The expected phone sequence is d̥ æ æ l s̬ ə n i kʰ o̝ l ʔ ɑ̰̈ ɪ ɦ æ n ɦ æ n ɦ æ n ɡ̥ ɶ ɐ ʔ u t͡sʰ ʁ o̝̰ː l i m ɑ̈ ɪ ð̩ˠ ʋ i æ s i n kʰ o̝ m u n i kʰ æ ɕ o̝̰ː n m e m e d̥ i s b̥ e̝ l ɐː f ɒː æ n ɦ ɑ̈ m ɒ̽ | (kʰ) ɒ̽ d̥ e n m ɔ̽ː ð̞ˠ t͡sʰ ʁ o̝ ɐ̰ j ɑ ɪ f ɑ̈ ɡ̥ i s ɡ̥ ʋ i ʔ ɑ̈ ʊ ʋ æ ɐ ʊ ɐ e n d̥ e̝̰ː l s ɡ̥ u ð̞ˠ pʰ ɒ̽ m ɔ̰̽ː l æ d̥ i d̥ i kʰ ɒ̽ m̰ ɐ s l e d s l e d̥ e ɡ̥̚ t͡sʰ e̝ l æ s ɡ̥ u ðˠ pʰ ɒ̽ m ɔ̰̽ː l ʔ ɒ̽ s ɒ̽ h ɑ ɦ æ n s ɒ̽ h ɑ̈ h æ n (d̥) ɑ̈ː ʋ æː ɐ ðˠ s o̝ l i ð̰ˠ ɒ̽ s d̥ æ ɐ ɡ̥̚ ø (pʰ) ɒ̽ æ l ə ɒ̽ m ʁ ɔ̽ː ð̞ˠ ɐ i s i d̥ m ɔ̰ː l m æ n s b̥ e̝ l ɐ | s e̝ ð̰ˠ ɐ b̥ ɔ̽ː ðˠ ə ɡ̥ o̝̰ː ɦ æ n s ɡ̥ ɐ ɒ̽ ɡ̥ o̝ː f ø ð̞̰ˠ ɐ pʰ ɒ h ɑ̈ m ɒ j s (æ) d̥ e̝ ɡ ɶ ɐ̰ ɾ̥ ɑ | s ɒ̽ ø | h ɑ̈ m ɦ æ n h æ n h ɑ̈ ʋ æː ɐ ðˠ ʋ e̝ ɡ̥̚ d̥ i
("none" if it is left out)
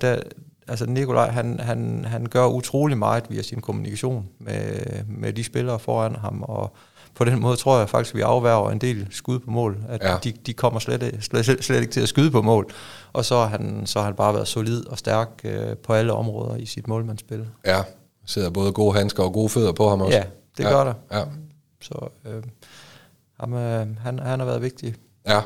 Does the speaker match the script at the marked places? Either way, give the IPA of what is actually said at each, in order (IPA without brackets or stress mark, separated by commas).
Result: pʰ, b̥, pʰ, æ